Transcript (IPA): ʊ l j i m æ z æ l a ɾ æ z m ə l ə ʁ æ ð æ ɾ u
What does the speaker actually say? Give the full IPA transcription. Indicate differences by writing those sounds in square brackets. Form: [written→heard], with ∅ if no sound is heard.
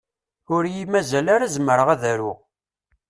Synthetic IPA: ʊ [l→ɾ] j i m æ z æ l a ɾ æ z m ə [l→ɾ] ə ʁ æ ð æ ɾ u